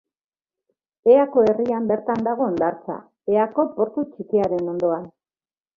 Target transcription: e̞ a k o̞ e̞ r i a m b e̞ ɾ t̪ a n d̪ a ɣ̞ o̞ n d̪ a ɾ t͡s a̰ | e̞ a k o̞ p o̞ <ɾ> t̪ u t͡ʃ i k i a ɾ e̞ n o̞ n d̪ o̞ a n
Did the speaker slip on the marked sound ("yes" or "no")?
no